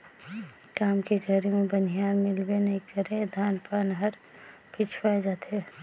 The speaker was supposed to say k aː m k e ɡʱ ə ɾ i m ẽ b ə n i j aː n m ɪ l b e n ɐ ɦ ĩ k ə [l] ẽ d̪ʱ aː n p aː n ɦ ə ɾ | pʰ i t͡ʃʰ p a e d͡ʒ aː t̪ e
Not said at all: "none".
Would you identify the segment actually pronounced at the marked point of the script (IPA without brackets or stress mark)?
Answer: ɾ